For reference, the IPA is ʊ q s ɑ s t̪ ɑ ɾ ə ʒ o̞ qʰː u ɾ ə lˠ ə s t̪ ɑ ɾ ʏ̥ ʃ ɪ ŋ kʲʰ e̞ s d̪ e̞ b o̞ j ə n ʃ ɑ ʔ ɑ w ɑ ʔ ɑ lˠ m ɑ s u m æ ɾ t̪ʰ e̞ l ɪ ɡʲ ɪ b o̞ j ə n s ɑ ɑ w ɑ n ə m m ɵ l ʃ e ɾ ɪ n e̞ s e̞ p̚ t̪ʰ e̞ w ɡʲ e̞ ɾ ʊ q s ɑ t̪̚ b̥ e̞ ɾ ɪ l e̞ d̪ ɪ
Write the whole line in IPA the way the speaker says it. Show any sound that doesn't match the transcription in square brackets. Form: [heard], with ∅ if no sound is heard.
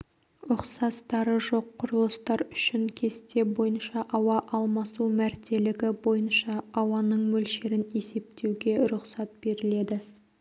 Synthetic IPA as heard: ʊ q s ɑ s t̪ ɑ ɾ ə ʒ o̞ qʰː [ʊ] ɾ ə lˠ ə s t̪ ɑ ɾ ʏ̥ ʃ ɪ ŋ kʲʰ e̞ s [t̪] e̞ b o̞ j ə n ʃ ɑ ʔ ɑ w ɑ ʔ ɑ lˠ m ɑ s u m æ ɾ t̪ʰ e̞ l ɪ ɡʲ ɪ b o̞ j ə n [ʃ] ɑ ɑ w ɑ n ə [ɴ] m ɵ l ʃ e ɾ ɪ n e̞ s e̞ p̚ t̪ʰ e̞ w ɡʲ e̞ ɾ ʊ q s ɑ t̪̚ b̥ e̞ ɾ ɪ l e̞ d̪ ɪ